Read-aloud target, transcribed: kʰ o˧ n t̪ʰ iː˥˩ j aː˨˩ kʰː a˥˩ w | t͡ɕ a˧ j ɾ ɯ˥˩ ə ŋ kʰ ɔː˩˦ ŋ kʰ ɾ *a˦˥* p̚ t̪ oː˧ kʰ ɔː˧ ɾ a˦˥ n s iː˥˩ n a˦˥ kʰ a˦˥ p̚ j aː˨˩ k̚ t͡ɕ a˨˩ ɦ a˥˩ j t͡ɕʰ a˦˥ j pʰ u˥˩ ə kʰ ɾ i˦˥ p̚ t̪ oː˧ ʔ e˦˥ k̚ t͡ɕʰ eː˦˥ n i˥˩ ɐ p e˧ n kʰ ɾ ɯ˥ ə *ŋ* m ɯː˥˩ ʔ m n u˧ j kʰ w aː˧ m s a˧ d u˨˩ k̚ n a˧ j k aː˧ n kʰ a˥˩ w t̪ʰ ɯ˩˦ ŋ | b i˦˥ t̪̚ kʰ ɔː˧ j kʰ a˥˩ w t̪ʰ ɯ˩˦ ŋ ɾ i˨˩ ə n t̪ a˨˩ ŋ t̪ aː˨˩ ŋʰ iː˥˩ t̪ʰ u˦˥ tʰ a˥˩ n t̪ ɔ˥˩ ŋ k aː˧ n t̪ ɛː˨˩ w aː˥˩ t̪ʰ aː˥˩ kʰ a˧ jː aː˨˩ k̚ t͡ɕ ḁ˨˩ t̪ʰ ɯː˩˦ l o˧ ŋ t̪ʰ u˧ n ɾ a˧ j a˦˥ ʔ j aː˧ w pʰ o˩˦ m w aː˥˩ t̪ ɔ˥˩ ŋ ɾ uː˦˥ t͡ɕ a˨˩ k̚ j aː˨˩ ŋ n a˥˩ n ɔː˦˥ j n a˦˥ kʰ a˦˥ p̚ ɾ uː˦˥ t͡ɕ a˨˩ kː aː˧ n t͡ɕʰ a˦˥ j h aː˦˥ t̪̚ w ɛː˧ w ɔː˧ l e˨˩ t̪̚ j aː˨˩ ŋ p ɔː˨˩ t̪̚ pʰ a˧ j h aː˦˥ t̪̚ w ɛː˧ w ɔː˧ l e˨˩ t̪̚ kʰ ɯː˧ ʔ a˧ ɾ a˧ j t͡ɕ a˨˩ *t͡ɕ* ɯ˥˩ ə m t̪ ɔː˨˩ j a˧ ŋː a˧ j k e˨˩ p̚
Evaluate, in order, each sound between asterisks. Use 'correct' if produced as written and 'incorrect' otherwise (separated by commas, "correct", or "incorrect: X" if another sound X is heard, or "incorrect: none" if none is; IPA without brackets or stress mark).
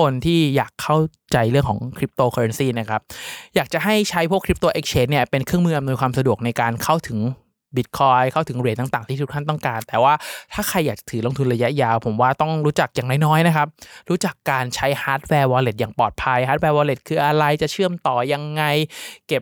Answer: incorrect: i˦˥, correct, incorrect: t͡ɕʰ